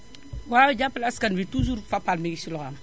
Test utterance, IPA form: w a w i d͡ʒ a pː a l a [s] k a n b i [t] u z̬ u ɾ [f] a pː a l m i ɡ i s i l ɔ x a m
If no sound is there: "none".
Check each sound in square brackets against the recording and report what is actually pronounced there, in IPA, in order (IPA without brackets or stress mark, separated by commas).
s, t, f